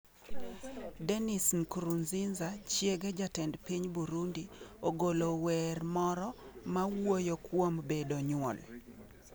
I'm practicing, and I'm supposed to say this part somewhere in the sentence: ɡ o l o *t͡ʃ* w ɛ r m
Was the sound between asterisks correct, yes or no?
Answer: no